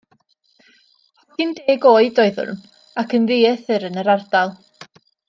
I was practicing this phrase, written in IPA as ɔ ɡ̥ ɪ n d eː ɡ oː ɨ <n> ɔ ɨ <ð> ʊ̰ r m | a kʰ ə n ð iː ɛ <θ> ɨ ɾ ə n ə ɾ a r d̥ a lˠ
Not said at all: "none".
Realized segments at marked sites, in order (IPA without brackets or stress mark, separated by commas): d, ð, θ